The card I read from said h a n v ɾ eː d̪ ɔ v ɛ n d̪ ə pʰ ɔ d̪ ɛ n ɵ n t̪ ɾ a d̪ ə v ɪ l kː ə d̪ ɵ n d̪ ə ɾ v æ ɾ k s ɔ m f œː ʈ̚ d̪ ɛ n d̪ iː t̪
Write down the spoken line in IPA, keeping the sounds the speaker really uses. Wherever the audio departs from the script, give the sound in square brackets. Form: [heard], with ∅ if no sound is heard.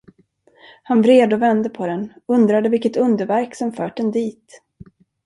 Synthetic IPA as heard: h a n v ɾ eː d̪ ɔ v ɛ n d̪ ə pʰ ɔ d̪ ɛ n ɵ n [d̪] ɾ a d̪ ə v ɪ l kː ə [t̪] ɵ n d̪ ə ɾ v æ ɾ k s ɔ m f œː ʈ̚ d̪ ɛ n d̪ iː t̪